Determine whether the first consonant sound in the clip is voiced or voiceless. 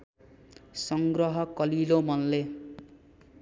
voiceless